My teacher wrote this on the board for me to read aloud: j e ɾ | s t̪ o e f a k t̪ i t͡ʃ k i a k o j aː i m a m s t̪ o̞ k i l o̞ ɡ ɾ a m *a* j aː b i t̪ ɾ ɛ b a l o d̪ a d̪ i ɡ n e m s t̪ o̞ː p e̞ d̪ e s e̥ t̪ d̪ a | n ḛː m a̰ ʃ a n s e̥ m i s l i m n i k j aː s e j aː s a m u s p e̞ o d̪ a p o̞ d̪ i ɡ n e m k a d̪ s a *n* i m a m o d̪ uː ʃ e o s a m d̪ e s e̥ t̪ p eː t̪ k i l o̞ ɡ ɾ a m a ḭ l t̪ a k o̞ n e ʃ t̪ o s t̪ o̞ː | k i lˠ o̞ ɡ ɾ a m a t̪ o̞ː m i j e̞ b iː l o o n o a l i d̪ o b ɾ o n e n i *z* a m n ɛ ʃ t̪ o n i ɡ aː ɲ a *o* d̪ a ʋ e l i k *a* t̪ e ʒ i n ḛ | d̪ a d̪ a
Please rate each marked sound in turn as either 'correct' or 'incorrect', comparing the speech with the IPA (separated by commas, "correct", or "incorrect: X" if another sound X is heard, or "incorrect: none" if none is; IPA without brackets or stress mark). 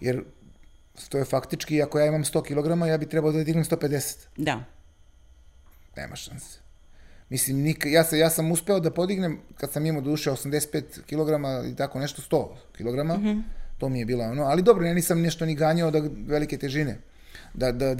correct, incorrect: m, incorrect: s, correct, incorrect: e